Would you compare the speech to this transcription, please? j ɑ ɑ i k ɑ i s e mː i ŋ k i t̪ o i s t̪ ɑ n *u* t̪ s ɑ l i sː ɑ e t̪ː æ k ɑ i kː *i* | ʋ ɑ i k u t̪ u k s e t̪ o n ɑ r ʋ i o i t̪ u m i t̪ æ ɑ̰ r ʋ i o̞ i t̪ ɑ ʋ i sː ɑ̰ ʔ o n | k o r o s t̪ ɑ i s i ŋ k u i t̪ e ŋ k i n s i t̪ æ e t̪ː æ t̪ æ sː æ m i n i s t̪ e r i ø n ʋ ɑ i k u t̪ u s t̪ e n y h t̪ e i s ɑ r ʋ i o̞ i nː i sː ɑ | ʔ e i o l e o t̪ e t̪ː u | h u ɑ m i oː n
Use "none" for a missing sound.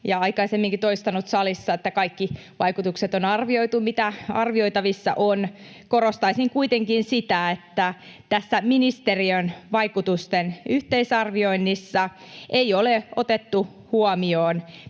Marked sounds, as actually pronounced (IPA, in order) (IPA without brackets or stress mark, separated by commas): u, i